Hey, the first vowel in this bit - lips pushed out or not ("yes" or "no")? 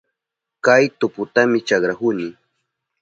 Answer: no